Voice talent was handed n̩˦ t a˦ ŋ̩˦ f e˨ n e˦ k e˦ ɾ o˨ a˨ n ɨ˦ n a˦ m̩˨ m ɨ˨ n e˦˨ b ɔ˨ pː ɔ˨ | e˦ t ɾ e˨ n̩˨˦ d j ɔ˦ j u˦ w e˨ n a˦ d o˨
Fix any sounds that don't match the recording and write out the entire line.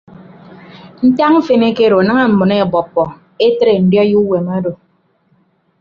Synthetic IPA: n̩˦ t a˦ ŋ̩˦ f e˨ n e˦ k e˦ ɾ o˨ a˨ n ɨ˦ ŋ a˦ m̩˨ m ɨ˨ n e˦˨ b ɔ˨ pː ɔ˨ | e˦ t ɾ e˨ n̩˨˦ d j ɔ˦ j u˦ w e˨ m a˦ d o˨

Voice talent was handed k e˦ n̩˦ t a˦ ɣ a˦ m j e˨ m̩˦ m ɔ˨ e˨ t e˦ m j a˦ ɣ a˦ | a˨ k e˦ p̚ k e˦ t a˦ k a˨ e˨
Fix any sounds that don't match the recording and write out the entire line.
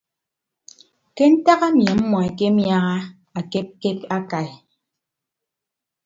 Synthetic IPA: k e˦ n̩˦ t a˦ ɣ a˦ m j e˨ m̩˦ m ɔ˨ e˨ k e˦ m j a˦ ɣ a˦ | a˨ k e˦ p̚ k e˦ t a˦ k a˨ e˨

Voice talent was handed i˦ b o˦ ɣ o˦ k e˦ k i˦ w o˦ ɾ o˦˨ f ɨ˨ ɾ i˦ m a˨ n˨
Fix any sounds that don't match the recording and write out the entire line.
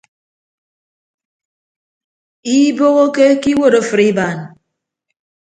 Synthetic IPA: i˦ b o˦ ɣ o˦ k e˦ k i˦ w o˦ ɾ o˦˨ f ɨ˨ ɾ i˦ b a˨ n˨

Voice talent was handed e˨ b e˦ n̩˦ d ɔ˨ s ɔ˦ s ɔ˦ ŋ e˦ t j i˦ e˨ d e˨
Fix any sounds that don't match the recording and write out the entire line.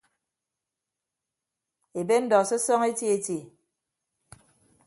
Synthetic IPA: e˨ b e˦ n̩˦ d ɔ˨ s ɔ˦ s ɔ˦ ŋ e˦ t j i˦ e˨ t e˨

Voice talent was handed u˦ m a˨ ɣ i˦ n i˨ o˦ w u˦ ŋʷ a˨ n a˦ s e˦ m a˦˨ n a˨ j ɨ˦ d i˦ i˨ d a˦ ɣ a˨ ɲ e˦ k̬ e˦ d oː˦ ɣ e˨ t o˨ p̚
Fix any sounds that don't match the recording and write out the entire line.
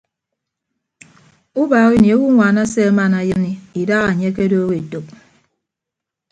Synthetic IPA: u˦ b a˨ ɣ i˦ n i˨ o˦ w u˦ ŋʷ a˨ n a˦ s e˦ m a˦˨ n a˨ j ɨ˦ n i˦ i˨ d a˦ ɣ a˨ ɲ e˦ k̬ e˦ d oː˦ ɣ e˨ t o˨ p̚

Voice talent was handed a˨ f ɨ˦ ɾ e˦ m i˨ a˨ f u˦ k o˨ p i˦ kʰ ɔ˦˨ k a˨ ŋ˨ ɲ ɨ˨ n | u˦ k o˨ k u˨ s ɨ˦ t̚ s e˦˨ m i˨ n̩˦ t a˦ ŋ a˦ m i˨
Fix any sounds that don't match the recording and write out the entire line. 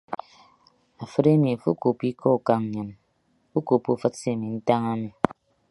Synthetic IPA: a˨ f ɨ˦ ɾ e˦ m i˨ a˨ f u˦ k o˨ p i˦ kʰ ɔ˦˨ k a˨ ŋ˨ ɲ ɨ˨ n | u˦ k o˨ p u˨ f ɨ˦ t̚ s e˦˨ m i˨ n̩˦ t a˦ ŋ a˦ m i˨

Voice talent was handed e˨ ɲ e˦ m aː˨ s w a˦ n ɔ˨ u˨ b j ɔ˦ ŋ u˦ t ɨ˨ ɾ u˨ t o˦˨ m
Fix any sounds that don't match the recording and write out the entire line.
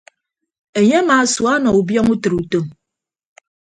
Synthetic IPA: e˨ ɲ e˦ m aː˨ s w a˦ n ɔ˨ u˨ b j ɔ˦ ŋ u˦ t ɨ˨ ɾ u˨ t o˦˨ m

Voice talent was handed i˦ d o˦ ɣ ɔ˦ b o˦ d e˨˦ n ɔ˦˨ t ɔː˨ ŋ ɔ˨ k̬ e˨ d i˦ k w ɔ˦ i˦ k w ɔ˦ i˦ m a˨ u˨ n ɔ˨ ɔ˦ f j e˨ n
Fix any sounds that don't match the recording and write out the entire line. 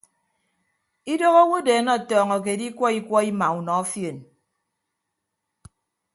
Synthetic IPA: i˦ d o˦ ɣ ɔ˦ w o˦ d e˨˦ n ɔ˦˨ t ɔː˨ ŋ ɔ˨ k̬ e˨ d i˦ k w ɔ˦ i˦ k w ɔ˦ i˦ m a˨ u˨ n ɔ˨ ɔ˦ f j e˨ n

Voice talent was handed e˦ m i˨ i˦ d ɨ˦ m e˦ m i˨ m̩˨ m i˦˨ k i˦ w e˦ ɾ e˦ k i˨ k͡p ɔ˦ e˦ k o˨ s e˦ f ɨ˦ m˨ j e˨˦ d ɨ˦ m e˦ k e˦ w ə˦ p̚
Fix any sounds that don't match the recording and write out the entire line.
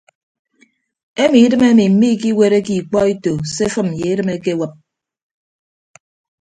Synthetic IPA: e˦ m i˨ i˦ d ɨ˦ m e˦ m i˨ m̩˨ m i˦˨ k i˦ w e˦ ɾ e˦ k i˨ k͡p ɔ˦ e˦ t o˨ s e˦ f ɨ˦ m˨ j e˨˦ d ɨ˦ m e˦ k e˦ w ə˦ p̚

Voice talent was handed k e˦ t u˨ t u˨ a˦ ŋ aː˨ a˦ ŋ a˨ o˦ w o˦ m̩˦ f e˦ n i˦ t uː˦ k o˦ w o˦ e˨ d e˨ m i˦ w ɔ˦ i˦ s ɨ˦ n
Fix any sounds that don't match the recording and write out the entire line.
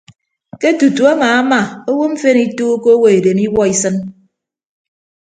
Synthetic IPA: k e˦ t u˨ t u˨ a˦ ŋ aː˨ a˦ m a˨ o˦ w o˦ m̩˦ f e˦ n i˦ t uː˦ k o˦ w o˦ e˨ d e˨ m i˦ w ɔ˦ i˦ s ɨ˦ n

